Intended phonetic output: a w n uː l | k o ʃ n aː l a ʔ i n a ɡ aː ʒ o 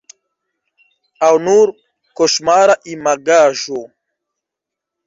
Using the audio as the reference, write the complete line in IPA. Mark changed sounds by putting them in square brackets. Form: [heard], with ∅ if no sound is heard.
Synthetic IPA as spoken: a w n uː [ɾ] | k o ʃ [m] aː [ɾ] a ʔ i [m] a ɡ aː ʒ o